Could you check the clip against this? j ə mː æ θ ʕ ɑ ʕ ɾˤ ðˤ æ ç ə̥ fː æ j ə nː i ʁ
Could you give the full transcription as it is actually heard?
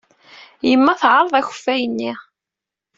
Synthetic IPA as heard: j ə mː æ θ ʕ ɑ ɾˤ ðˤ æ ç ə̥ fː æ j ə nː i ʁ